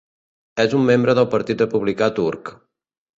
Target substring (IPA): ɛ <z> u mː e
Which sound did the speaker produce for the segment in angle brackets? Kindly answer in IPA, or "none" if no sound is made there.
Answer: z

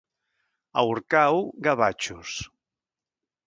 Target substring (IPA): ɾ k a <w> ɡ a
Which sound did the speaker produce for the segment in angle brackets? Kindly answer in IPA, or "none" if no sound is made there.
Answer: w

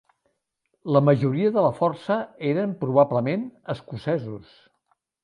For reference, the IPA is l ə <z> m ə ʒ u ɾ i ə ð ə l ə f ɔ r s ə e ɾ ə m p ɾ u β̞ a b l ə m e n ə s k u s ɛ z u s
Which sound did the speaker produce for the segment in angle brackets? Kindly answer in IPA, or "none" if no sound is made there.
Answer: none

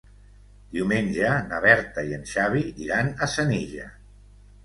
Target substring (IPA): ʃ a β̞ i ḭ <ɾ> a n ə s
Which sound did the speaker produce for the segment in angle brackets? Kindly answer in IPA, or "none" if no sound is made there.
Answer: ɾ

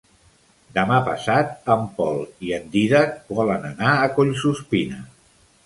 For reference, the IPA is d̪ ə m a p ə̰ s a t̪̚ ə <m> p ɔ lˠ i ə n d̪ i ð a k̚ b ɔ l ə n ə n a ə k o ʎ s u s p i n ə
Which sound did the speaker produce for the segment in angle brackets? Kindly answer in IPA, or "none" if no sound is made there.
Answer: m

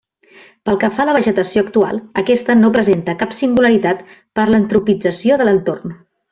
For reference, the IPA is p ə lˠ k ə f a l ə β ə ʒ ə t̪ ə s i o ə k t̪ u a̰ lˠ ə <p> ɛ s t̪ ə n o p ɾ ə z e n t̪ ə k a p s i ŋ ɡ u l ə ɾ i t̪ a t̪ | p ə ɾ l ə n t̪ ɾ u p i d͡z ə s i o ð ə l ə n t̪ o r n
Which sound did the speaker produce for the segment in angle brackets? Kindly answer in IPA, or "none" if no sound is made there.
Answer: k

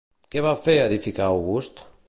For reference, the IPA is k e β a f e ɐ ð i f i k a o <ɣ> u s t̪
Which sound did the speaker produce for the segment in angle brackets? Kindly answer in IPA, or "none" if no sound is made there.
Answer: ɣ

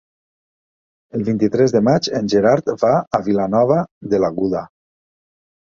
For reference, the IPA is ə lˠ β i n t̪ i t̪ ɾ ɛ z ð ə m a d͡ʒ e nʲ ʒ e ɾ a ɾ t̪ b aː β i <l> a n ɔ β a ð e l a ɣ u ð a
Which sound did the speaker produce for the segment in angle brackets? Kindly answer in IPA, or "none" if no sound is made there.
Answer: l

